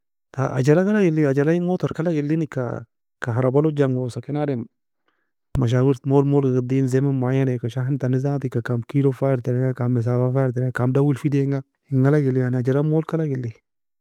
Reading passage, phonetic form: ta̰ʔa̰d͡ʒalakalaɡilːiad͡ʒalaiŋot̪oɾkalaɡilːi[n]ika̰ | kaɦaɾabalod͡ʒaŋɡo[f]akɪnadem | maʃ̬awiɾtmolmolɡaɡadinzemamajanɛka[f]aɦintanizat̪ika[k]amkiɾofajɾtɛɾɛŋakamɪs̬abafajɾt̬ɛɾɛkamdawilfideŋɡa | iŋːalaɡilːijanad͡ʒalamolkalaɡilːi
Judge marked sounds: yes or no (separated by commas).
yes, no, no, yes